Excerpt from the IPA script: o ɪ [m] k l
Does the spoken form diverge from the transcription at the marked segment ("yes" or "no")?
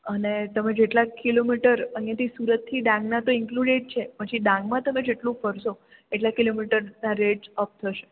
yes